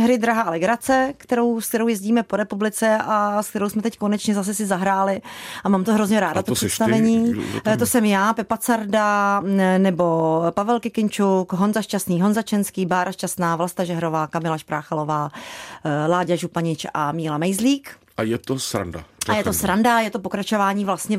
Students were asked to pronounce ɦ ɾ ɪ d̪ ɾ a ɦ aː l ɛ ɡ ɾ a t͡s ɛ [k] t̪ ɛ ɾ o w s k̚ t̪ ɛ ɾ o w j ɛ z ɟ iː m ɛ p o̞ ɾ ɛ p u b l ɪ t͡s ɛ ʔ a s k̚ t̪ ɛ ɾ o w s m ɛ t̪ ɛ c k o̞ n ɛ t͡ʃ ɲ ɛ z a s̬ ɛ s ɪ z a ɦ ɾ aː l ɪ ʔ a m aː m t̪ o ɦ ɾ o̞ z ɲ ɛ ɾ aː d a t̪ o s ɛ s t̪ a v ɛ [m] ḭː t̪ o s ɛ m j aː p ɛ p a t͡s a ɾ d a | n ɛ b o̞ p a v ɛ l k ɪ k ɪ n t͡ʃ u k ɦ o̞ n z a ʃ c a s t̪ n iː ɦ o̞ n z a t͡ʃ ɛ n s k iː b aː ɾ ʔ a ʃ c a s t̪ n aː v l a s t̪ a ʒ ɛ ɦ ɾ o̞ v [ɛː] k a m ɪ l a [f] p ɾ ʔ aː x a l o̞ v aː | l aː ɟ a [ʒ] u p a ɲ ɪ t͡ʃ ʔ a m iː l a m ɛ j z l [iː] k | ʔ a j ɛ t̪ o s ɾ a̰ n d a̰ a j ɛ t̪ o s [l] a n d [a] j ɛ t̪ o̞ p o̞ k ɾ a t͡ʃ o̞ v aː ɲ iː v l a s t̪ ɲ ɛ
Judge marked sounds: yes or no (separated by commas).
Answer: yes, no, no, no, yes, yes, no, yes